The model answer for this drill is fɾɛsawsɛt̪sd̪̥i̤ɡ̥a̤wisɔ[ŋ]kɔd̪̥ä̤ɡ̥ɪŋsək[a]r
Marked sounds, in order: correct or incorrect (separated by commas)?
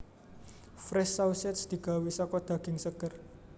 incorrect, incorrect